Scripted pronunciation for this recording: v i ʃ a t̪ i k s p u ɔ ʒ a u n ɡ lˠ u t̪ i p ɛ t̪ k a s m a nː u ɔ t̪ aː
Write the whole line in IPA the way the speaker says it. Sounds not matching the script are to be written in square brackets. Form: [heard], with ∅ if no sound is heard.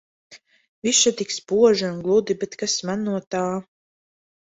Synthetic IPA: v i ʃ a t̪ i k s p u ɔ ʒ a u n ɡ lˠ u [d̪] i [b] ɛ t̪ k a s m a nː u ɔ t̪ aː

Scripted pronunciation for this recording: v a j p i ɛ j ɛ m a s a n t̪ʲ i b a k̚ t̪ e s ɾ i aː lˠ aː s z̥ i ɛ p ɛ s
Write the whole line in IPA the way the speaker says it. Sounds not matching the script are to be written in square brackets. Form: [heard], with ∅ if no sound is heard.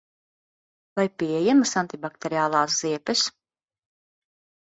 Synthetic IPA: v a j p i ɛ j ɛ m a s a n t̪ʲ i b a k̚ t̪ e [∅] ɾ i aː lˠ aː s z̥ i ɛ p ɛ s

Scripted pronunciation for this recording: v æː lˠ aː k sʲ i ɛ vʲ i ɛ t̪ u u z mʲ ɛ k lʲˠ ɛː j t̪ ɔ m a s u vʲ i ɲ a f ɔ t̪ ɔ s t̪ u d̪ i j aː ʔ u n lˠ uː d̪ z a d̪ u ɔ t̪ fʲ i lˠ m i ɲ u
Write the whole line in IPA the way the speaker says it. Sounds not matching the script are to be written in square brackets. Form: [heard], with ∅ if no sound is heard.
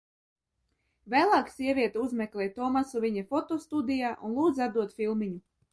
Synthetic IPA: v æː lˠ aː k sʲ i ɛ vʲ i ɛ t̪ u u z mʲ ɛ k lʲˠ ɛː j t̪ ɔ m a s u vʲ i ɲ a f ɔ t̪ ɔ s t̪ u d̪ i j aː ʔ u n lˠ uː d̪ z a d̪ u ɔ t̪ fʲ i lˠ m i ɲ u

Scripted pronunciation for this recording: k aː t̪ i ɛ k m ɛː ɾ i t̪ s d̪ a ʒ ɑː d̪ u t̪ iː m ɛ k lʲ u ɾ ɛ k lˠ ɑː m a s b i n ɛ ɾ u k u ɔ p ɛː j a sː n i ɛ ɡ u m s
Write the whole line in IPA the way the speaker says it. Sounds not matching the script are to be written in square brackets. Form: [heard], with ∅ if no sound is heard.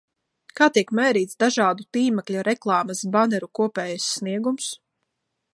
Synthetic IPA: k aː t̪ i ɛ k m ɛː ɾ [iː] t̪ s d̪ a ʒ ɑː d̪ u t̪ iː m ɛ k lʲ u ɾ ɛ k lˠ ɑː m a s b [a] n ɛ ɾ u k u ɔ p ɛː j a sː n i ɛ ɡ u m s

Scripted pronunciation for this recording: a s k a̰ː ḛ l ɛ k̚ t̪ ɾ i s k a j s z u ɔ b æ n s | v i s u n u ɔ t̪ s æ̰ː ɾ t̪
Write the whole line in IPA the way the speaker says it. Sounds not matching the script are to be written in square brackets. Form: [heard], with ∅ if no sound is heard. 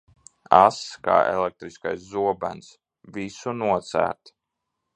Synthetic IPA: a s k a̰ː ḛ l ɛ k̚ t̪ ɾ i s k a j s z u ɔ b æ n s | v i s u n u ɔ t̪ s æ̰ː ɾ t̪

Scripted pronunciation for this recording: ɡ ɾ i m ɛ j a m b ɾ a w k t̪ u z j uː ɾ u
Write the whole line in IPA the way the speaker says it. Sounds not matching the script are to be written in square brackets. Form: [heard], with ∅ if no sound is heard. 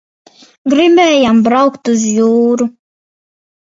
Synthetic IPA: ɡ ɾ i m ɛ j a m b ɾ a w k t̪ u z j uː ɾ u

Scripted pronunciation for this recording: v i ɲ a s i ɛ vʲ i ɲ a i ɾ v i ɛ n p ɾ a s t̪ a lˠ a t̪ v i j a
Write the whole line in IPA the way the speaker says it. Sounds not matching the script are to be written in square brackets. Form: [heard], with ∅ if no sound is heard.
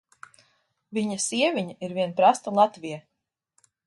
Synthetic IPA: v i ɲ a s i ɛ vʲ i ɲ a i ɾ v i ɛ n p ɾ a s t̪ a lˠ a t̪ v i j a

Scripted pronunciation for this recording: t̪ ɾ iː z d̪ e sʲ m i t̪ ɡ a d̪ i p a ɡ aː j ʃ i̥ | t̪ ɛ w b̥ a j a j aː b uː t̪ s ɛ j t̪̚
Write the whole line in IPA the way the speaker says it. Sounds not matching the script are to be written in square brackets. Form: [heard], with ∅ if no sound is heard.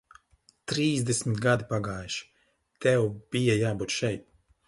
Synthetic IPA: t̪ ɾ iː z d̪ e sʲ m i t̪ ɡ a d̪ i p a ɡ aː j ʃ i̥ | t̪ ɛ w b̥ [i] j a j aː b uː t̪ [ʃ] ɛ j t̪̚

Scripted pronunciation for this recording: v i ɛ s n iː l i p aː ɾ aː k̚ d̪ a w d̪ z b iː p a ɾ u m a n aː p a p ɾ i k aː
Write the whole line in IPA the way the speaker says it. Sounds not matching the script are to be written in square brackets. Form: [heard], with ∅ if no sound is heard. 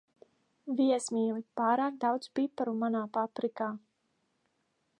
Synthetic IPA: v i ɛ s [m] iː l i p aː ɾ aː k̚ d̪ a w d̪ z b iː p a ɾ u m a n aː p a p ɾ i k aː

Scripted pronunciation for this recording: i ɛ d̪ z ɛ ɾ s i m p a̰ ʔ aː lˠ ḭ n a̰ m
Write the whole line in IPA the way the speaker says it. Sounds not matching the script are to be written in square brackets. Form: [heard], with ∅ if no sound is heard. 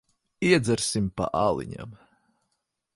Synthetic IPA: i ɛ d̪ z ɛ ɾ s i m p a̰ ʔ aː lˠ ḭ [ɲ] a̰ m

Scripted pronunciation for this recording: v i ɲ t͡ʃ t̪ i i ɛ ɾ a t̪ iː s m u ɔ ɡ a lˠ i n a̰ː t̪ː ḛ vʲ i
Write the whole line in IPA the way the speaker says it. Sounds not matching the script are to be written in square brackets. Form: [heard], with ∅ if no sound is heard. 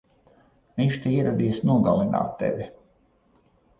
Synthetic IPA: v i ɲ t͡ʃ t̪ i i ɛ ɾ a [d̪] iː s [n] u ɔ ɡ a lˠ i n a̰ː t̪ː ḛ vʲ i

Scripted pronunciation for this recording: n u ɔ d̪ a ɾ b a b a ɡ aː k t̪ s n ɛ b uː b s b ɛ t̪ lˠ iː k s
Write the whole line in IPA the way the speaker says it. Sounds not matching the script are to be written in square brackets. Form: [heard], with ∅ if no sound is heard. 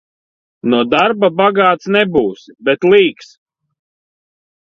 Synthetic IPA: n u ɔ d̪ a ɾ b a b a ɡ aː [∅] t̪ s n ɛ b uː [∅] s b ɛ t̪ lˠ iː k s

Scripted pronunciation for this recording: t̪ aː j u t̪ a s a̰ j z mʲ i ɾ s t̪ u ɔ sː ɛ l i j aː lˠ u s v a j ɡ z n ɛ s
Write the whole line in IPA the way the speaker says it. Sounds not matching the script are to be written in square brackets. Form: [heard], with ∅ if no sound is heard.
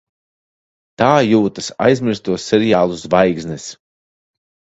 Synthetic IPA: t̪ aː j [uː] t̪ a s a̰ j z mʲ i ɾ s t̪ u ɔ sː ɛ [ɾ] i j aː lˠ u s v a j ɡ z n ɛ s

